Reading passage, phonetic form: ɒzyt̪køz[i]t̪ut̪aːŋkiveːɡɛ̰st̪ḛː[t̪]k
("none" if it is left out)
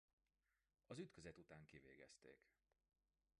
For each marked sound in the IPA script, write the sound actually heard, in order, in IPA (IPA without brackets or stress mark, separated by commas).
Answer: ɛ, none